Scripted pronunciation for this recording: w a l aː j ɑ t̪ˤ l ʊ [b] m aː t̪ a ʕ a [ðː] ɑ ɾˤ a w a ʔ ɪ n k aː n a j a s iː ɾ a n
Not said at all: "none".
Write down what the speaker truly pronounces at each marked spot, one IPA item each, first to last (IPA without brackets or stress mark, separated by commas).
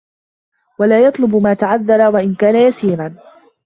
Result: b, ðː